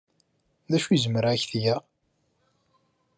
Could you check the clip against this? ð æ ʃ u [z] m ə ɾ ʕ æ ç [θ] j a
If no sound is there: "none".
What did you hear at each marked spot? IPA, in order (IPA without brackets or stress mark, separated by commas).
z, θ